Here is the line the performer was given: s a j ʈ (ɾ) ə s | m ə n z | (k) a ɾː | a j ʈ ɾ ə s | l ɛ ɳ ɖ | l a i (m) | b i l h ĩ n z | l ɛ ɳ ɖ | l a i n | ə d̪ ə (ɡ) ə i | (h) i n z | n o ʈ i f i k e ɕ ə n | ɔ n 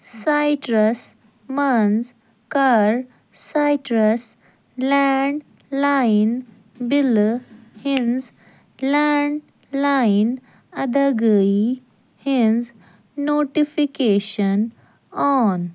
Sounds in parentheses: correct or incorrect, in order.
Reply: correct, correct, incorrect, correct, correct

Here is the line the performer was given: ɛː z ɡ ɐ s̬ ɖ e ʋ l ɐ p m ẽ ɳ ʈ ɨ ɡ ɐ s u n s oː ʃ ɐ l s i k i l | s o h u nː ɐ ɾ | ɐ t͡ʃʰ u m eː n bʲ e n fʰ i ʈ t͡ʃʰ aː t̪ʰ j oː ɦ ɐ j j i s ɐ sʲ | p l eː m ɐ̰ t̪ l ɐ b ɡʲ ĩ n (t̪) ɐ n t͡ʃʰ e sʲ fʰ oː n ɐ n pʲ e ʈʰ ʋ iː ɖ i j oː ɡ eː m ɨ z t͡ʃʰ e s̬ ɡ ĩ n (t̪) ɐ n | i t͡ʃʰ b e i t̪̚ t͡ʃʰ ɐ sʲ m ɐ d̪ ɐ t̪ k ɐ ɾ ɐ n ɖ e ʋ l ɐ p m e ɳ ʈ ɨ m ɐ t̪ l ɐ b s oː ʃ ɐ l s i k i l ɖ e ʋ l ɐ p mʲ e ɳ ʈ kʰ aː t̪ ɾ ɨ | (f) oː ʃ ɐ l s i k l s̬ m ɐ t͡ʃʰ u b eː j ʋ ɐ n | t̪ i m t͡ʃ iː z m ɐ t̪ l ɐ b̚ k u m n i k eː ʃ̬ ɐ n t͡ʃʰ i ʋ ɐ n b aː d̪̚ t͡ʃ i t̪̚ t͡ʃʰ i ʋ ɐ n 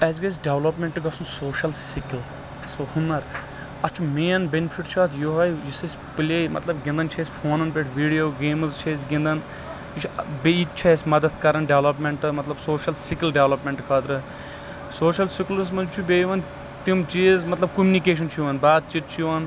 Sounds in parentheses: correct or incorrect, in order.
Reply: incorrect, incorrect, incorrect

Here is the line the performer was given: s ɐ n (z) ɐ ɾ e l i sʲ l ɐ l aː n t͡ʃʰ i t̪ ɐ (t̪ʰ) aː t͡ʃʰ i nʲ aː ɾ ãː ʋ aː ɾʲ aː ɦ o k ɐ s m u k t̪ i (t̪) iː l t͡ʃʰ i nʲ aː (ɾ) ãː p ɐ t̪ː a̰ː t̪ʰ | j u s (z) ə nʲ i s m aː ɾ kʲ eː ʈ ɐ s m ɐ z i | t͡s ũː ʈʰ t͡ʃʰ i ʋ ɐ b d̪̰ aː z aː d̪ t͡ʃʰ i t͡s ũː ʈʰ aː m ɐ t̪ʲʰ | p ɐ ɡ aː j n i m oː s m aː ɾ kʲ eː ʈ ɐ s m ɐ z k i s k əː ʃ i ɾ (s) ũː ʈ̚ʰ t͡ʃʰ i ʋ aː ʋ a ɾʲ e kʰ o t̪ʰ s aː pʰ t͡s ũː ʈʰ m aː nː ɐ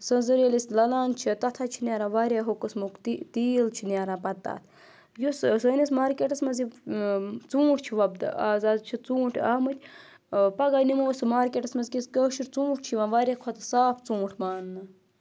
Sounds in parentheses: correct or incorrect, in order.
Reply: correct, correct, correct, correct, incorrect, incorrect

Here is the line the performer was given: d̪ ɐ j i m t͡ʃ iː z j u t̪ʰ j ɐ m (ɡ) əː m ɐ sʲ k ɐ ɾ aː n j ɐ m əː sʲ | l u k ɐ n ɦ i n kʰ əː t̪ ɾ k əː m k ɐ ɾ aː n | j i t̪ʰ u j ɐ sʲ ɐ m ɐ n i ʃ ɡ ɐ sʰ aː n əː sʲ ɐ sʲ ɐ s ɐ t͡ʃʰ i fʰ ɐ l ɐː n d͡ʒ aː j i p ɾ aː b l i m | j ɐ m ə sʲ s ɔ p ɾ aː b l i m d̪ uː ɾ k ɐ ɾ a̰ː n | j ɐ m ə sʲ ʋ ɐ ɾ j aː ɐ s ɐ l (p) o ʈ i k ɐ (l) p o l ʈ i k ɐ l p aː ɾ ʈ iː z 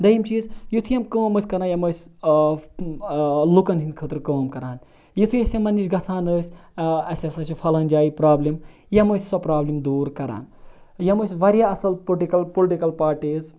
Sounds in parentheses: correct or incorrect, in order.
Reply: incorrect, correct, correct

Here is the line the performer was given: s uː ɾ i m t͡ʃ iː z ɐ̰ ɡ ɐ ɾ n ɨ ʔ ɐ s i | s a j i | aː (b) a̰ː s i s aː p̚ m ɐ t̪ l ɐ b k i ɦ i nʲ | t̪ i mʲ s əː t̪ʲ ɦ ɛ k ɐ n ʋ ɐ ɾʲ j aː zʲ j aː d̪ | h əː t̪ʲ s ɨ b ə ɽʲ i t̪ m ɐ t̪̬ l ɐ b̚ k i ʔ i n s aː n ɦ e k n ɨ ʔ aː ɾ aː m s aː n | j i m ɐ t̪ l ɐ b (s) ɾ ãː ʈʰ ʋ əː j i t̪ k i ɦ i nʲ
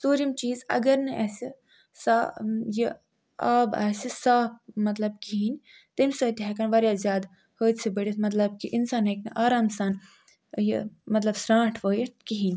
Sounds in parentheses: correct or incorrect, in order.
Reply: correct, correct

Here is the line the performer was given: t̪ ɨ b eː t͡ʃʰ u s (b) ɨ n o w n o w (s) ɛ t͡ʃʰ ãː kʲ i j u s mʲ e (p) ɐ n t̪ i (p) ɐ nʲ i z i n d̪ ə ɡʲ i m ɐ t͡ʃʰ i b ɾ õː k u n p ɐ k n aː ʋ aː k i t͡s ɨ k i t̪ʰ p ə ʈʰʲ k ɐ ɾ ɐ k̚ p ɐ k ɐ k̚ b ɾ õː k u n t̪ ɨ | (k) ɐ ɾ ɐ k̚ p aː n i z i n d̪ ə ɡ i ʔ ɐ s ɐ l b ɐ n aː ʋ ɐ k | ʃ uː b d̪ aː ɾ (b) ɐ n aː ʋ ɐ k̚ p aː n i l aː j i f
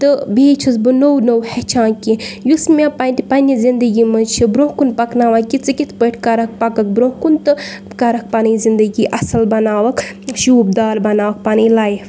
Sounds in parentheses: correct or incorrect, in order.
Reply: correct, incorrect, correct, correct, correct, correct

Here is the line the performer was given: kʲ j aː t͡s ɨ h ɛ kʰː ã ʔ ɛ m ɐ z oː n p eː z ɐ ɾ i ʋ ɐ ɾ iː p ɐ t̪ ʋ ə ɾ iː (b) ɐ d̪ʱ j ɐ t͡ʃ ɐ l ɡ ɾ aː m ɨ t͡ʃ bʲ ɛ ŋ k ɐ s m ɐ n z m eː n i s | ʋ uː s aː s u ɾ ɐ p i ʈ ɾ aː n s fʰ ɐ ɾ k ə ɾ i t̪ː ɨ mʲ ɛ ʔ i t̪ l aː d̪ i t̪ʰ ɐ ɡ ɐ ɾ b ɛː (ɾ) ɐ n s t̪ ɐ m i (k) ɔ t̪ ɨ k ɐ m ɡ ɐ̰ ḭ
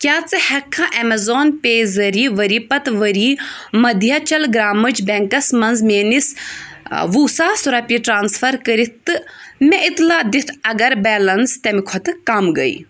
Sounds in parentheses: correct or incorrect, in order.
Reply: incorrect, incorrect, incorrect

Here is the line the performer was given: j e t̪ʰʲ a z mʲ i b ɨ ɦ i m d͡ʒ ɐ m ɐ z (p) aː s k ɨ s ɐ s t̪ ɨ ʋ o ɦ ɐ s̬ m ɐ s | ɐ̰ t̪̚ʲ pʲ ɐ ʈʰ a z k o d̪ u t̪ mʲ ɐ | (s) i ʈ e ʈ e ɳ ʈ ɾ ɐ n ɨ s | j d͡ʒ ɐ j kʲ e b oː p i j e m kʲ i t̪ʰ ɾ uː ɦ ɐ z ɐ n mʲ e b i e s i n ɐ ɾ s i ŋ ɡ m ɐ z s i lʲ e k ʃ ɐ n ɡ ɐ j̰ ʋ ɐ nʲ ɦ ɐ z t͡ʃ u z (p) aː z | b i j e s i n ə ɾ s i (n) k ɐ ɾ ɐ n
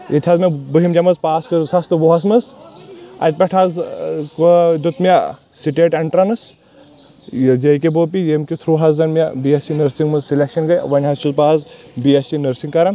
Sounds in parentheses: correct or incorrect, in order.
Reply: correct, correct, correct, incorrect

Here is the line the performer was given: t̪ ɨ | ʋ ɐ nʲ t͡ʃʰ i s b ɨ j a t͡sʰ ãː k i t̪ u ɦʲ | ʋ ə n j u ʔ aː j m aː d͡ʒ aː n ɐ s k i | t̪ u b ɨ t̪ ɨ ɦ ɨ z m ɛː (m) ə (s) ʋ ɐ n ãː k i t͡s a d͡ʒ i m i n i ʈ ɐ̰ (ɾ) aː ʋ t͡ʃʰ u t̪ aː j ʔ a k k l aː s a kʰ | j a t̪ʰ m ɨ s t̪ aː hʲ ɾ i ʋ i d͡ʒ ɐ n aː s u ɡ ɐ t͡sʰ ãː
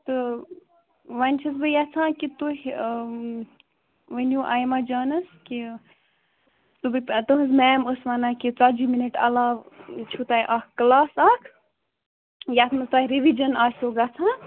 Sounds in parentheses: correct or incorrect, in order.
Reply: correct, correct, incorrect

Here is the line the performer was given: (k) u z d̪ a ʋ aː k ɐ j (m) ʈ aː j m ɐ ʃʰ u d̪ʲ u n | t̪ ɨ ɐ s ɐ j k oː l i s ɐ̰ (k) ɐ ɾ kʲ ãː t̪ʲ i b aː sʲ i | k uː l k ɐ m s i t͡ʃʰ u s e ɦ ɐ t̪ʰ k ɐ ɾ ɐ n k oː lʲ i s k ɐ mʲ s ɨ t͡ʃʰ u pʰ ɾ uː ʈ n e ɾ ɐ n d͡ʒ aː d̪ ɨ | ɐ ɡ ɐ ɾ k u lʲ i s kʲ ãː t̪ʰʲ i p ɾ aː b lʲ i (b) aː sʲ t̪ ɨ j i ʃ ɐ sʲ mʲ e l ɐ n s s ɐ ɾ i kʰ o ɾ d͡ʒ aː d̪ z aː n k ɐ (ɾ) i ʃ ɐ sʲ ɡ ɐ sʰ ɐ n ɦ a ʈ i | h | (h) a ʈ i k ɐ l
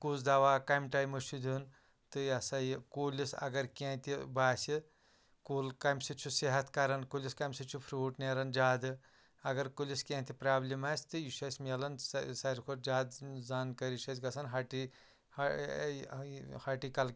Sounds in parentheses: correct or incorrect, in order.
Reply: correct, correct, incorrect, incorrect, correct, correct

